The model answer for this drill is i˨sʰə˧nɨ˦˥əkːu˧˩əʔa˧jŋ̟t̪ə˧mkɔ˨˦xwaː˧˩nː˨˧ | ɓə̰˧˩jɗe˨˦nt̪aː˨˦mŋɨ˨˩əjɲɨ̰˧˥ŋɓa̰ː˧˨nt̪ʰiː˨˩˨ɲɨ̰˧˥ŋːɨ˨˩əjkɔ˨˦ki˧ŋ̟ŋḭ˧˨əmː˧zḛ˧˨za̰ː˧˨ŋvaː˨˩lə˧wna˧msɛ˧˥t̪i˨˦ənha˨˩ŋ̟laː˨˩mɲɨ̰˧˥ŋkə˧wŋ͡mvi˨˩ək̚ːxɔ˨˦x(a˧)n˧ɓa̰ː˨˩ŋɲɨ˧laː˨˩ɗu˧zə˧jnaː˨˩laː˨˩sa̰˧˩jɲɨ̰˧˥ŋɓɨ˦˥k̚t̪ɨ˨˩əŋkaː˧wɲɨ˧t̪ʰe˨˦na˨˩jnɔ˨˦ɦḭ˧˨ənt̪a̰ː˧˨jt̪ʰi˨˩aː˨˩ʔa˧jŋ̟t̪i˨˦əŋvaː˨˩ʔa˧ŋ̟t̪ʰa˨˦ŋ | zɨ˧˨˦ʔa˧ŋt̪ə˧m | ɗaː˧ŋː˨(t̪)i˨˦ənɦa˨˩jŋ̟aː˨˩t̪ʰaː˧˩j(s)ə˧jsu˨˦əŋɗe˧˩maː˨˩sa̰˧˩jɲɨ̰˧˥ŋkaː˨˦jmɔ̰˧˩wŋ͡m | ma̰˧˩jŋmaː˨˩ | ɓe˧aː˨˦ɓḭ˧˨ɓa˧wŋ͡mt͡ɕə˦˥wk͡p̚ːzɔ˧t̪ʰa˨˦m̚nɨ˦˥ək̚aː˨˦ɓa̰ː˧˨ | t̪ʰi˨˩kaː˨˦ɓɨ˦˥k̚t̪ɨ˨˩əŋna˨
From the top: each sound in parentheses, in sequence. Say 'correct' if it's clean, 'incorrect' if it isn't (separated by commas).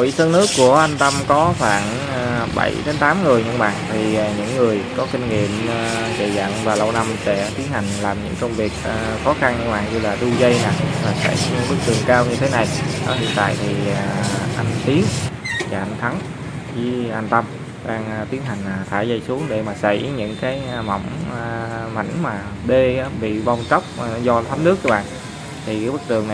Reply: correct, correct, incorrect